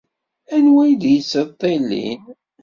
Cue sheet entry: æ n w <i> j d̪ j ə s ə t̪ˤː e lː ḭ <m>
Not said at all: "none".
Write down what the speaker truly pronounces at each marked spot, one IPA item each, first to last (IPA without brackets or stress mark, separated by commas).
æ, n